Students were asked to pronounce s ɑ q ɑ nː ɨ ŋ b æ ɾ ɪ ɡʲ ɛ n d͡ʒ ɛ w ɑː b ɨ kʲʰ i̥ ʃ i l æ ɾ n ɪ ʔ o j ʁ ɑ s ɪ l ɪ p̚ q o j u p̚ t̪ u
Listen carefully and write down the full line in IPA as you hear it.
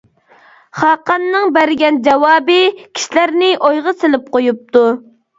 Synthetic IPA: χ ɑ q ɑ nː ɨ ŋ b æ ɾ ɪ ɡʲ ɛ n d͡ʒ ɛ w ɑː b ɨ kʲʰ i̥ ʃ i l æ ɾ n ɪ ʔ o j ʁ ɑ s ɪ l ɪ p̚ q o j u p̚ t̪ u